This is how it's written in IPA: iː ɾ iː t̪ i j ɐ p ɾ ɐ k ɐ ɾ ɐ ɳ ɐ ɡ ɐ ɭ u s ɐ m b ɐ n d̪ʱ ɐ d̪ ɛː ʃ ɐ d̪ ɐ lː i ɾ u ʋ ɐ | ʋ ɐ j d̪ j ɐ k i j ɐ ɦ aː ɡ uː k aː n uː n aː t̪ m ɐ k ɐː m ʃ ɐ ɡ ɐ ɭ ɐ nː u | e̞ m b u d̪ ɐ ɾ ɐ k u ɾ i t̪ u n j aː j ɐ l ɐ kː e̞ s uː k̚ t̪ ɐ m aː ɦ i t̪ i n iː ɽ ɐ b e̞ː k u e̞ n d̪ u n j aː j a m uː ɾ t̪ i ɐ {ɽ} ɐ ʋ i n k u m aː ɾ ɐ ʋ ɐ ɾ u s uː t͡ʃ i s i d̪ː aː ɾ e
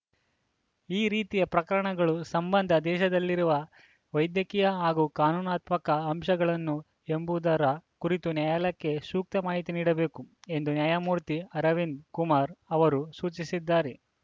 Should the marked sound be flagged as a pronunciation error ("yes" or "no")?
yes